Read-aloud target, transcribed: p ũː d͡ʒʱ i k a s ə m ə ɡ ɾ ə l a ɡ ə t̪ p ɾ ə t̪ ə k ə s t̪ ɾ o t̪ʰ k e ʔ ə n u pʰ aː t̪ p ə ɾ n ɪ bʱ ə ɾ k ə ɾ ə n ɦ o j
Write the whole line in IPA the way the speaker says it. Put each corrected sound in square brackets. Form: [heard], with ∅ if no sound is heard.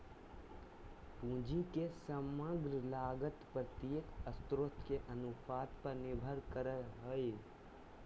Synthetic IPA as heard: p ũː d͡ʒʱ i k [e] s ə m ə ɡ ɾ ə l a ɡ ə t̪ p ɾ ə t̪ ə k ə s t̪ ɾ o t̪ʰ k e ʔ ə n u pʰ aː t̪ p ə ɾ n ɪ bʱ ə ɾ k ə ɾ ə [∅] ɦ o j